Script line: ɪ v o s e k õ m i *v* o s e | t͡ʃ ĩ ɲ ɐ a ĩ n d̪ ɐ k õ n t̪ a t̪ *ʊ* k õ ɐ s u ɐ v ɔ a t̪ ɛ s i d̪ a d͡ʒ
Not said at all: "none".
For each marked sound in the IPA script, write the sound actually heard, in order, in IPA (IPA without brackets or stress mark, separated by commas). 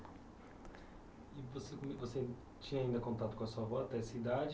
v, ʊ